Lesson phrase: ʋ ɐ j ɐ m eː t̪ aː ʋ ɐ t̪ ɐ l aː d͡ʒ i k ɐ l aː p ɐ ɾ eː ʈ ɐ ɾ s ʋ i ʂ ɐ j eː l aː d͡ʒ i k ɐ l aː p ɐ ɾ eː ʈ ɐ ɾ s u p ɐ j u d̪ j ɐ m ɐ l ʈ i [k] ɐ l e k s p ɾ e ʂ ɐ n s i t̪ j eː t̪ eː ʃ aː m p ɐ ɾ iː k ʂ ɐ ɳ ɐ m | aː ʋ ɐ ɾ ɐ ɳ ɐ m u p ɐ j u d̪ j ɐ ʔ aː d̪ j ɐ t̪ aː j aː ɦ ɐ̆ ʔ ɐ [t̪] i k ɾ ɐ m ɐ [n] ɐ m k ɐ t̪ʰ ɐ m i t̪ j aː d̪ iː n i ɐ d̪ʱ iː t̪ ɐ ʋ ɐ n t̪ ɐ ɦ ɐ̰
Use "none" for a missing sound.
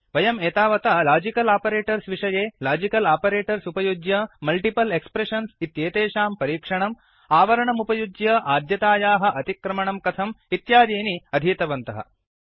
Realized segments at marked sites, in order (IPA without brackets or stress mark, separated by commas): p, t̪, ɳ